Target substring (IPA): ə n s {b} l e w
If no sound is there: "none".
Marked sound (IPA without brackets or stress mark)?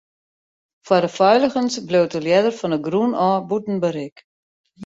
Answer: b